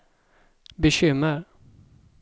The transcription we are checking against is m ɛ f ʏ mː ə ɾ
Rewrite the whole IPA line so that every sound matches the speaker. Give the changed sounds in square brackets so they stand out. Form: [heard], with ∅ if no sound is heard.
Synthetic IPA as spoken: [b] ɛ [ɕ] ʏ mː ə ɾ